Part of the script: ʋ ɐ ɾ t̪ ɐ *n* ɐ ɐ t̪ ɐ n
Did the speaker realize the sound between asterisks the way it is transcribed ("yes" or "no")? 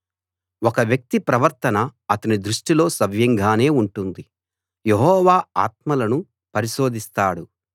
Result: yes